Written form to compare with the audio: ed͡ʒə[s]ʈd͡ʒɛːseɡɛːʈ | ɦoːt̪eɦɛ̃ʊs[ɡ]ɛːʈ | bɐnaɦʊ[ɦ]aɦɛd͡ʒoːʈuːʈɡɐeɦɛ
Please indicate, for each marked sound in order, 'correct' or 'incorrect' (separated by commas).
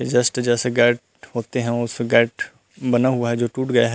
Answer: correct, correct, incorrect